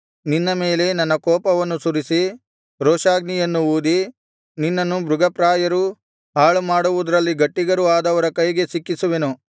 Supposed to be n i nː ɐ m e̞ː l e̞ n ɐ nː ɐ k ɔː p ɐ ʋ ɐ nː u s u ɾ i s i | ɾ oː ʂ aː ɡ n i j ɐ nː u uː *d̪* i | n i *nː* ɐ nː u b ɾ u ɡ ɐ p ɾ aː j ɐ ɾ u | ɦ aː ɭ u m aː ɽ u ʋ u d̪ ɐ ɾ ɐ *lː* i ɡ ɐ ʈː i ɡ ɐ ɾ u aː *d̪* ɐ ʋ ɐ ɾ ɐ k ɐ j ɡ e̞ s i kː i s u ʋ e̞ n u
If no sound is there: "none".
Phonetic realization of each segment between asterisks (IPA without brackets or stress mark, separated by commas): d̪, nː, lː, d̪